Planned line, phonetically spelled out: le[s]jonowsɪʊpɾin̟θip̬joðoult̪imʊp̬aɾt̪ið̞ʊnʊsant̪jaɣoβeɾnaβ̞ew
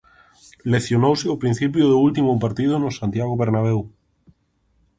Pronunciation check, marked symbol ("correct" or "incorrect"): incorrect